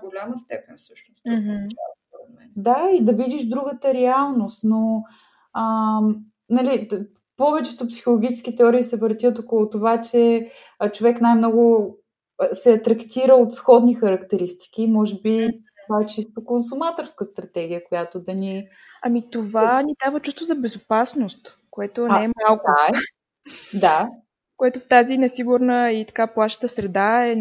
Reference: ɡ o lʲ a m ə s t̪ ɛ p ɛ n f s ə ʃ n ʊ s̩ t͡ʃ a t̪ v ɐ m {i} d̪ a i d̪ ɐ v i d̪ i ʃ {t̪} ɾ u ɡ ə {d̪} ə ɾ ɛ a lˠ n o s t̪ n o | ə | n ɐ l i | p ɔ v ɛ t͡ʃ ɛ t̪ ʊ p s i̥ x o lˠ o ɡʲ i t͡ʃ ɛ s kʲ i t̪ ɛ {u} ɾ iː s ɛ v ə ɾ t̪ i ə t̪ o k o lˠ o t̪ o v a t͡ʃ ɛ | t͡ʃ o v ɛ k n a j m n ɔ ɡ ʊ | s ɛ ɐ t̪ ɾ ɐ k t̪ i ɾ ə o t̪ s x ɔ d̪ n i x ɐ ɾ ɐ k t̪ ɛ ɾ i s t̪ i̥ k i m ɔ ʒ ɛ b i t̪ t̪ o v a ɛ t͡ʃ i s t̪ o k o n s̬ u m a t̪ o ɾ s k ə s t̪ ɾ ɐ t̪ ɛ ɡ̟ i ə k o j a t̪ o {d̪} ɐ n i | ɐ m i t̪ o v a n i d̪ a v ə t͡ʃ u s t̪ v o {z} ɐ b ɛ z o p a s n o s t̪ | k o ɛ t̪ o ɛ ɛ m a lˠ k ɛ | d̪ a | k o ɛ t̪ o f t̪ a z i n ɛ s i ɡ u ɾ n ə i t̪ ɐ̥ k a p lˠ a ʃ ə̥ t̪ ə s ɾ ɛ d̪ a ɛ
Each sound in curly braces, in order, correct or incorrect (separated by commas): incorrect, incorrect, incorrect, incorrect, correct, correct